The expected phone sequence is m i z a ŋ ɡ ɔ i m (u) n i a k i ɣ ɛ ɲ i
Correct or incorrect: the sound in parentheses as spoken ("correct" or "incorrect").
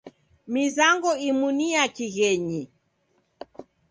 correct